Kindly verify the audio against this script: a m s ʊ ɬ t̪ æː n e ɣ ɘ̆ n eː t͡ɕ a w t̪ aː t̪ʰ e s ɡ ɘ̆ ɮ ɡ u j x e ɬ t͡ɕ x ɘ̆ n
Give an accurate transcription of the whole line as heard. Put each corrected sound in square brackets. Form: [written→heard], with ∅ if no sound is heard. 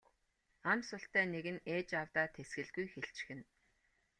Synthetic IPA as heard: a m s ʊ ɬ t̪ æː n e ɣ ɘ̆ n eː t͡ɕ a w t̪ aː t̪ʰ e s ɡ ɘ̆ ɮ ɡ u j x e ɬ t͡ɕ x ɘ̆ n